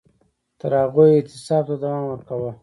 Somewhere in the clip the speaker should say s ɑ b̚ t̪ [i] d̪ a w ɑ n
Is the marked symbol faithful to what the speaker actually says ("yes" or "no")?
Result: no